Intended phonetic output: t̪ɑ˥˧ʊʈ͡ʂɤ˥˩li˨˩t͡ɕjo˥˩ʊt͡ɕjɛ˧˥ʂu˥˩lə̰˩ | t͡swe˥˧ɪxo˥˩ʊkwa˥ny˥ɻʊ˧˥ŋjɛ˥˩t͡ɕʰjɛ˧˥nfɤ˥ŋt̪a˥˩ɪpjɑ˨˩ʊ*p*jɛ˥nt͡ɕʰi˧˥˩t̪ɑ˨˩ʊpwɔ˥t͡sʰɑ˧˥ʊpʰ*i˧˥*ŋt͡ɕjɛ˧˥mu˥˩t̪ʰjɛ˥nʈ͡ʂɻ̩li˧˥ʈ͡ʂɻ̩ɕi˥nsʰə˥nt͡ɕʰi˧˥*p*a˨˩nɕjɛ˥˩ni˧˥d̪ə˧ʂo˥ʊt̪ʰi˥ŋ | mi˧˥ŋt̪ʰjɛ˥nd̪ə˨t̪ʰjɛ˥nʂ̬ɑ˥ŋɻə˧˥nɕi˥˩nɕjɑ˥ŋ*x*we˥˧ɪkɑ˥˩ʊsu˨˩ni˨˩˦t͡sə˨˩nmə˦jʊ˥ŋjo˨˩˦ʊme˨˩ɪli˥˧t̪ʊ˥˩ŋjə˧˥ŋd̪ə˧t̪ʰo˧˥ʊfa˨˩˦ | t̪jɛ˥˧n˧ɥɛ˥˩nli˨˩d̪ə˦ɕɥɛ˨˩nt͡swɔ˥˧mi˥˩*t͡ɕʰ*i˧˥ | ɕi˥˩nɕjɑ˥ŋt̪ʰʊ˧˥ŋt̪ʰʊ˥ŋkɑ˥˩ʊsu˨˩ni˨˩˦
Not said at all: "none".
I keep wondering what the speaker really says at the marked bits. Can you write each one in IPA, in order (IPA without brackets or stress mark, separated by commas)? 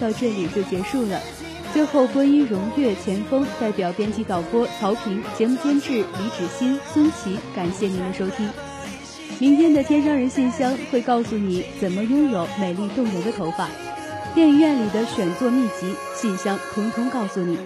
p, i˧˥, k, x, t͡ɕ